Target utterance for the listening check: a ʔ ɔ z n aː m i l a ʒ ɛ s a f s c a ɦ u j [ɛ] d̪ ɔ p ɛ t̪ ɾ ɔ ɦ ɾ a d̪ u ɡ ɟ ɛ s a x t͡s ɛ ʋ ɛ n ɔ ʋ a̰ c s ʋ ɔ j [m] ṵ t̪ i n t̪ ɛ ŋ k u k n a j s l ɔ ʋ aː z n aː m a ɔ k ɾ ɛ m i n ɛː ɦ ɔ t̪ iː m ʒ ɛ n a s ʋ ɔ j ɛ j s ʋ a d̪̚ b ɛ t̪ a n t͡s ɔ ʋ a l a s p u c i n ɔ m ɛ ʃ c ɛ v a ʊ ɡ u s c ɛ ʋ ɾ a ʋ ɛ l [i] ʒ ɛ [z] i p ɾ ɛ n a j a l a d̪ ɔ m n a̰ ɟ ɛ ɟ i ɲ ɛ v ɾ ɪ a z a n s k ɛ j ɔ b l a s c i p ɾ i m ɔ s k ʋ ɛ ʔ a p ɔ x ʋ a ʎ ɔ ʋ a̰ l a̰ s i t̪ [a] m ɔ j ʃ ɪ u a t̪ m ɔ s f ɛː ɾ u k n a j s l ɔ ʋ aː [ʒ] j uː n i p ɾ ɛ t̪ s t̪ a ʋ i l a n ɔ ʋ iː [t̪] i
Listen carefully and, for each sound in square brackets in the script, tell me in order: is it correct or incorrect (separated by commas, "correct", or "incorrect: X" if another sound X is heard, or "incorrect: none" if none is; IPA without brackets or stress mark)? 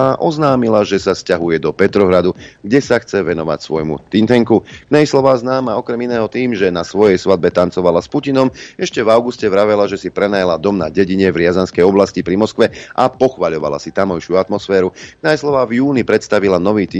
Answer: correct, correct, incorrect: a, incorrect: s, correct, incorrect: v, correct